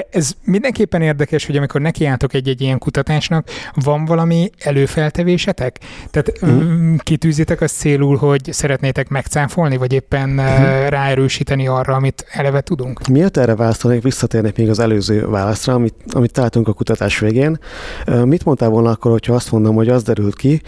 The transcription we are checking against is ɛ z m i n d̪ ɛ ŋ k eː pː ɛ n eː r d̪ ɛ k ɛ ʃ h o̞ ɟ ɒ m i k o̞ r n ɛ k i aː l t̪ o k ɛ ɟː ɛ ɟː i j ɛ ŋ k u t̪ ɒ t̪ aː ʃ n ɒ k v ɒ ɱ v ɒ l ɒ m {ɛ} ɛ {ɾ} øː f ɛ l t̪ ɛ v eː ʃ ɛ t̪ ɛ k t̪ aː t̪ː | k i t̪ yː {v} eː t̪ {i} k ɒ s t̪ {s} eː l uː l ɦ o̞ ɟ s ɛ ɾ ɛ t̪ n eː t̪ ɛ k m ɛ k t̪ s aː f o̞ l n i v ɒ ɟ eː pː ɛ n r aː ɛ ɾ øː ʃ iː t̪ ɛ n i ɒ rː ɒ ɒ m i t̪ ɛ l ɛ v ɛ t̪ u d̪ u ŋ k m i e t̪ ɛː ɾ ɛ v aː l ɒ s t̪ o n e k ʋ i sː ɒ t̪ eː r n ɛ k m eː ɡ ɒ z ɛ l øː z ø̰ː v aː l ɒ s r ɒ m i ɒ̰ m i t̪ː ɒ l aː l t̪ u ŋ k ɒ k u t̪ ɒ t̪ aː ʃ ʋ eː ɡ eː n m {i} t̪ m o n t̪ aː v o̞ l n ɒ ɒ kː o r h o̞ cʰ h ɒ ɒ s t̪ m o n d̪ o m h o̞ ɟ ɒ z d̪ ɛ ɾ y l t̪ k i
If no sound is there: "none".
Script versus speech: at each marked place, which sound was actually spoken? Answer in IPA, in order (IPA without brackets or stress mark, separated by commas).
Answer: i, l, z, ɛ, s, i